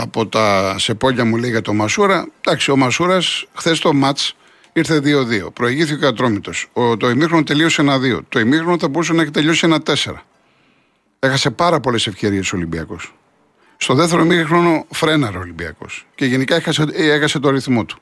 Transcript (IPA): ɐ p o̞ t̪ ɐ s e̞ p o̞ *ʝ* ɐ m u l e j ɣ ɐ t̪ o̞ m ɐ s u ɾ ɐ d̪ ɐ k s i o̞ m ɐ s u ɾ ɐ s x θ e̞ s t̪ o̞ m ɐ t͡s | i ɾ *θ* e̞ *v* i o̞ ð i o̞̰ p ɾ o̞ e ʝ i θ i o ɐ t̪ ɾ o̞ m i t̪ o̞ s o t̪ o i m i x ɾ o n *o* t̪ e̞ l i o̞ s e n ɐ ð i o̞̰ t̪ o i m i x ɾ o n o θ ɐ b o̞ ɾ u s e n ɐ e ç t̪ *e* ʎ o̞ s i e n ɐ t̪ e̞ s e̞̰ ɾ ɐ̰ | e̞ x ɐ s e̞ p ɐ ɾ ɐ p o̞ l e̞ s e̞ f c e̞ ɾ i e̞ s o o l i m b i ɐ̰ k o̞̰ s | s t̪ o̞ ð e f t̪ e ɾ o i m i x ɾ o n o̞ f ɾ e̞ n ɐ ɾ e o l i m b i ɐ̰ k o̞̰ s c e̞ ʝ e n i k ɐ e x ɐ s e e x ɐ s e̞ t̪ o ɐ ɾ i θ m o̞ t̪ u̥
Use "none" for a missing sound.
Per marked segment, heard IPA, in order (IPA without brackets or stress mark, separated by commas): ʎ, θ, ð, o, e